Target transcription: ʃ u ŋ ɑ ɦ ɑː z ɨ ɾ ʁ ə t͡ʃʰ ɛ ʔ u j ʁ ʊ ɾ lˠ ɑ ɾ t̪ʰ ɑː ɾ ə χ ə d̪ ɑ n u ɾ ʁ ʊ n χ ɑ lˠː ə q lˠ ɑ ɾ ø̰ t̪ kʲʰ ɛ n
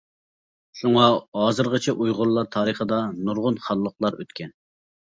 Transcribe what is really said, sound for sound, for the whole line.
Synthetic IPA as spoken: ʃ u ŋ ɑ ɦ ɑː z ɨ ɾ ʁ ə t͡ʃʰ ɛ ʔ u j ʁ ʊ ɾ lˠ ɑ ɾ t̪ʰ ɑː ɾ ə χ ə d̪ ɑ n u ɾ ʁ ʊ n χ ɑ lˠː ə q lˠ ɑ ɾ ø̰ t̪ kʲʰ ɛ n